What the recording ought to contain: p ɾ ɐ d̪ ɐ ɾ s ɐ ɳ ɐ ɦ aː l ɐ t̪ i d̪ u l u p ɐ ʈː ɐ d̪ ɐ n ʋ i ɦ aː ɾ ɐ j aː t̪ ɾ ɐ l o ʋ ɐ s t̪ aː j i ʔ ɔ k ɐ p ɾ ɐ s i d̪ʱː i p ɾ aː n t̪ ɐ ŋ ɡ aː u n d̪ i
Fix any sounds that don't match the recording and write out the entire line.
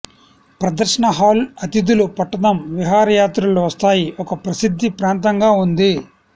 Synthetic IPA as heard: p ɾ ɐ d̪ ɐ ɾ ʂ ɐ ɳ ɐ ɦ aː l ɐ t̪ i d̪ u l u p ɐ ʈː ɐ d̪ ɐ m ʋ i ɦ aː ɾ ɐ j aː t̪ ɾ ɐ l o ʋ ɐ s t̪ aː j i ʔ ɔ k ɐ p ɾ ɐ s i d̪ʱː i p ɾ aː n t̪ ɐ ŋ ɡ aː u n d̪ i